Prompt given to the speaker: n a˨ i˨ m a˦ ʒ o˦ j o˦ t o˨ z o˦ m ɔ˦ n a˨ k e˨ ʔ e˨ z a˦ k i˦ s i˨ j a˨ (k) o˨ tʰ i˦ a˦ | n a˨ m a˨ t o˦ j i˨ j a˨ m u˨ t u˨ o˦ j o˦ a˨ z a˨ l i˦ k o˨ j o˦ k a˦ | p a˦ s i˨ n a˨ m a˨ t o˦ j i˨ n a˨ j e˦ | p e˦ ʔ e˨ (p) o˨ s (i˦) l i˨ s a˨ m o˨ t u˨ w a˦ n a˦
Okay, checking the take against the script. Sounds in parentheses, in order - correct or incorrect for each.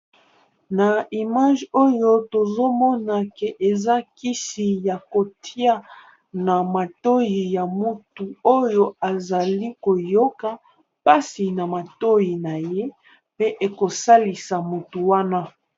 correct, incorrect: k, incorrect: a˦

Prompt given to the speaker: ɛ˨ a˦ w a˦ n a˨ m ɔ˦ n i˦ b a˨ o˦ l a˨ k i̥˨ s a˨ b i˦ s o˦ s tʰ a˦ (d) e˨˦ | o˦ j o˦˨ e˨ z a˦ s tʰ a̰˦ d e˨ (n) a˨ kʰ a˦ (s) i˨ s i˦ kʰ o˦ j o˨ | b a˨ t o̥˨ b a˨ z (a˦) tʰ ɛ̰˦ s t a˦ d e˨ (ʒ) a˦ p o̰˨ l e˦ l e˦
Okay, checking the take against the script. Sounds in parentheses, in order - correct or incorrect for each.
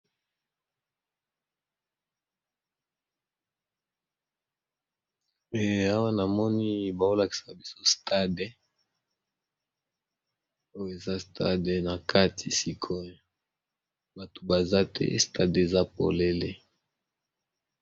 correct, correct, incorrect: t, correct, incorrect: z

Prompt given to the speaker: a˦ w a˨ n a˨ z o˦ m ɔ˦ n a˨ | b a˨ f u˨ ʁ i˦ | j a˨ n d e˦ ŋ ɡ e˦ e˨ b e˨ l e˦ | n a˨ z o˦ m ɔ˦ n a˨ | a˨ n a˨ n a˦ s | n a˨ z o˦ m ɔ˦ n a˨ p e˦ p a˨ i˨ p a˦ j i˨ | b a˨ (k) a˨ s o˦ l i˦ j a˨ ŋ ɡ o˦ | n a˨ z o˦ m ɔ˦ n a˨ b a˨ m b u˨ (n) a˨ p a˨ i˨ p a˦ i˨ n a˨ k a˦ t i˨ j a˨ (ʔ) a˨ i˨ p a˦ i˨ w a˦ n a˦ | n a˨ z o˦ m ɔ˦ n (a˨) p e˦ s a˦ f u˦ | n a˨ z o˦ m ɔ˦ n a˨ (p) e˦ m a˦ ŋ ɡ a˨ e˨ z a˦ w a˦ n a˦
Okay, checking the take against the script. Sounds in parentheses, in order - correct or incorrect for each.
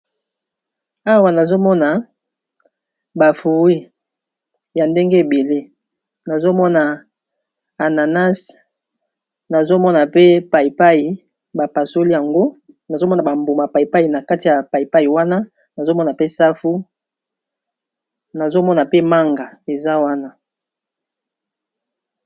incorrect: p, incorrect: m, incorrect: p, correct, correct

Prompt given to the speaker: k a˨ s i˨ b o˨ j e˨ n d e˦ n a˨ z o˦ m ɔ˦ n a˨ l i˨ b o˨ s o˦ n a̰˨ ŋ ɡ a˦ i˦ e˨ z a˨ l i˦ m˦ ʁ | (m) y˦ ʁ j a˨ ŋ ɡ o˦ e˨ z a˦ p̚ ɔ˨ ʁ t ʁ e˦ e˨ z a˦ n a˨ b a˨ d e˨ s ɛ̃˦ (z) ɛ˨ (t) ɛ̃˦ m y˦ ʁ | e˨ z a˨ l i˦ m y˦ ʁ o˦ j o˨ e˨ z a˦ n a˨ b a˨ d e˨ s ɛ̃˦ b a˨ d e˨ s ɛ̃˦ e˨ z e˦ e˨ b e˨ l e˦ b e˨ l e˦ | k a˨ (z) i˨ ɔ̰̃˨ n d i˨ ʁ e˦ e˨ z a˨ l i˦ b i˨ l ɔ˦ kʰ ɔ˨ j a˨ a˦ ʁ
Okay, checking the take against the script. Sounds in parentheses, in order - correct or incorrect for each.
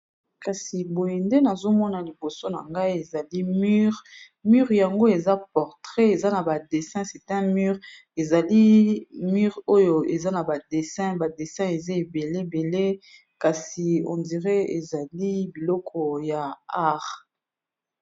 correct, incorrect: s, correct, incorrect: s

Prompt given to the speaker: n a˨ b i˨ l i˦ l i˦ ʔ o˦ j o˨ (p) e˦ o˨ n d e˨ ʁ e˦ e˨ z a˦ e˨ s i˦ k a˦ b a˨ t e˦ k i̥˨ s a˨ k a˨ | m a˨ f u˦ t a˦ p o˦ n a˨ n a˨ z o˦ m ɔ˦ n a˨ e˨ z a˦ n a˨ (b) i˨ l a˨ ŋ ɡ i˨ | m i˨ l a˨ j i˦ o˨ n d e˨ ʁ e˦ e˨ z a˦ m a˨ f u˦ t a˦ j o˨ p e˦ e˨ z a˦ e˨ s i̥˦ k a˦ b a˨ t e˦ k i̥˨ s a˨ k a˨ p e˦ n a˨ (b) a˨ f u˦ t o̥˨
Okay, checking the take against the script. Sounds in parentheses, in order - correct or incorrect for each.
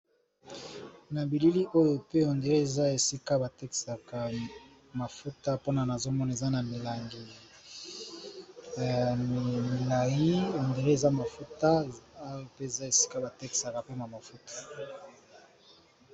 correct, incorrect: m, incorrect: m

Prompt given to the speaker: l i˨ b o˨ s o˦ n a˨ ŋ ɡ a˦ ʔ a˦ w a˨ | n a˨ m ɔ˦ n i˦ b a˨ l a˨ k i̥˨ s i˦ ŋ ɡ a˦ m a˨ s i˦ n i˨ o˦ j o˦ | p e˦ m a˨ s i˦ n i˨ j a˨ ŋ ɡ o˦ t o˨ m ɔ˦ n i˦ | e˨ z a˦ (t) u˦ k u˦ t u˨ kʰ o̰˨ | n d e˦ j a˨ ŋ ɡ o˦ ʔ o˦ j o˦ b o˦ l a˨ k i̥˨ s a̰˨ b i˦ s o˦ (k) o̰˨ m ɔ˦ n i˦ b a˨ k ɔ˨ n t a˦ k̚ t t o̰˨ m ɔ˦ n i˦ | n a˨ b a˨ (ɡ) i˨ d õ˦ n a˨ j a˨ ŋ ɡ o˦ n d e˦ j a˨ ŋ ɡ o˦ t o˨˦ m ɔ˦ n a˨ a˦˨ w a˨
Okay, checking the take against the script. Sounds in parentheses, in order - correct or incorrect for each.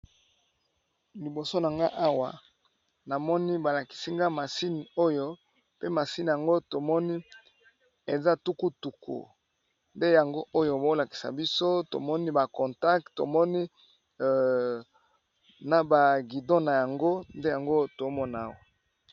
correct, incorrect: t, correct

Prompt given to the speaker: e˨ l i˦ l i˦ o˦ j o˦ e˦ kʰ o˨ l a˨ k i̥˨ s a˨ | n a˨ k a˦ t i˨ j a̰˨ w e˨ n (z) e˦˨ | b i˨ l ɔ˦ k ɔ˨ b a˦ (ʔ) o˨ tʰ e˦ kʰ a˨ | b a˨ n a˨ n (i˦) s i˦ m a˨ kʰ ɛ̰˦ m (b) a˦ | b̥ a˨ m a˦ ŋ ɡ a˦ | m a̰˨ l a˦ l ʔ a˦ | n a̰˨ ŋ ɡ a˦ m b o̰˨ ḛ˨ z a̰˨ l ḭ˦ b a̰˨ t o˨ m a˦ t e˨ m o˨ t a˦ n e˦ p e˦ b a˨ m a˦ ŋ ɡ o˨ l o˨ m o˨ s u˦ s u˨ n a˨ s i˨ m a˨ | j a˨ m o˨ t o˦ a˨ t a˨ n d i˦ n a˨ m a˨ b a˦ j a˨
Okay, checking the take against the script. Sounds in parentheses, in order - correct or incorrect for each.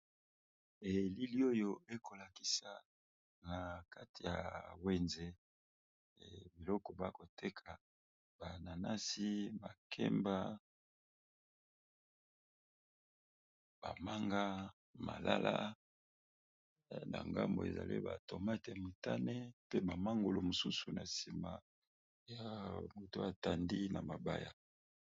correct, incorrect: k, incorrect: a˦, correct

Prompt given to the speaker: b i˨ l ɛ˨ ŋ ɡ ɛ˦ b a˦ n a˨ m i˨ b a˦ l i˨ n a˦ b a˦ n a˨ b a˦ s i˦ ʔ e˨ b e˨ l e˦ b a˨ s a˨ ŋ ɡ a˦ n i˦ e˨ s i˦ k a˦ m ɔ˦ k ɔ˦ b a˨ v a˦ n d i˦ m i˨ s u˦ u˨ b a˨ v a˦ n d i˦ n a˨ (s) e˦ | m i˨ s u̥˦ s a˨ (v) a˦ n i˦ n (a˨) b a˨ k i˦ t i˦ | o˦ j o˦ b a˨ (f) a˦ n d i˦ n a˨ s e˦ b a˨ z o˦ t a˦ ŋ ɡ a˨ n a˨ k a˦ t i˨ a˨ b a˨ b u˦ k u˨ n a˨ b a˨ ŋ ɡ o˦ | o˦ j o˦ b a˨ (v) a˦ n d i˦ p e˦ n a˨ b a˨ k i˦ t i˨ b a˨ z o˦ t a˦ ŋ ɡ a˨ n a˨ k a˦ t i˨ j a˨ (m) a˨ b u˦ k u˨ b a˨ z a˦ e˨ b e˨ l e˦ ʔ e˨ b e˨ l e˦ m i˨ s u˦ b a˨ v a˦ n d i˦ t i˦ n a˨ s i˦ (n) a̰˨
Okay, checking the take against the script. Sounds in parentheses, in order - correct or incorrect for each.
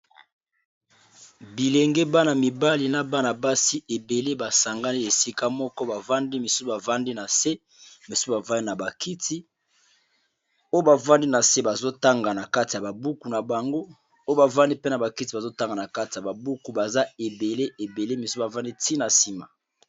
correct, correct, correct, incorrect: v, correct, incorrect: b, incorrect: m

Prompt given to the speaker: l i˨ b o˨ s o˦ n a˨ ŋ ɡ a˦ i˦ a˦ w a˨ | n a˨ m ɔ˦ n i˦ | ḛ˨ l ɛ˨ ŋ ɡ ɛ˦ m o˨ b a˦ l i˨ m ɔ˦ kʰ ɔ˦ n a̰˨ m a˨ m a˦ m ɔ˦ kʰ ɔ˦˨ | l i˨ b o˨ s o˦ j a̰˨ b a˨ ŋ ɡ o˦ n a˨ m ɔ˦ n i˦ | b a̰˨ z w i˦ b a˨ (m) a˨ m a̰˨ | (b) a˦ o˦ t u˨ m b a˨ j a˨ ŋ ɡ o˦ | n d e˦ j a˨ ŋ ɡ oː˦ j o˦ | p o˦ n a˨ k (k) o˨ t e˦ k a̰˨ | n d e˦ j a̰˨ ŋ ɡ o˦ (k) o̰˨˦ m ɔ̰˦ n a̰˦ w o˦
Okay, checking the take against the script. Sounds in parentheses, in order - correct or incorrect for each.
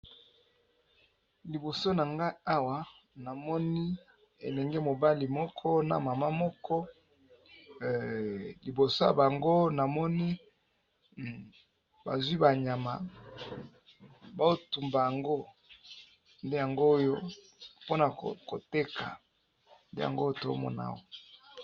incorrect: ɲ, correct, correct, incorrect: t

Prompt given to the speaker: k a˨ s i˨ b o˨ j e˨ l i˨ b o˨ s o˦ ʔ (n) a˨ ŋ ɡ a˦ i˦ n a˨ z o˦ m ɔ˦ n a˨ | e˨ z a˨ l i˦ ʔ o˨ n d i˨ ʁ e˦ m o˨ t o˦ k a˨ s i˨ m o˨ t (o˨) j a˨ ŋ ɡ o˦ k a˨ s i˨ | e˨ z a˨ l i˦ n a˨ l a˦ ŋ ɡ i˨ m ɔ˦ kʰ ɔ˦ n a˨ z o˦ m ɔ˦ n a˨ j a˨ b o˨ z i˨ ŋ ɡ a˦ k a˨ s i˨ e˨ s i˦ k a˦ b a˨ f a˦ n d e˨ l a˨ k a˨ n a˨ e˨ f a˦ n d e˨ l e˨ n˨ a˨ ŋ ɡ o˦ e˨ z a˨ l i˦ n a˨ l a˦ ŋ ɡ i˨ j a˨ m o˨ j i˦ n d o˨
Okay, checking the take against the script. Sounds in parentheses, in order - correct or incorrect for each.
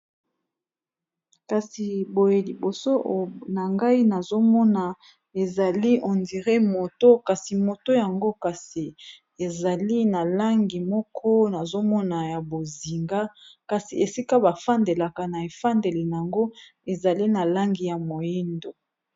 correct, incorrect: o˦

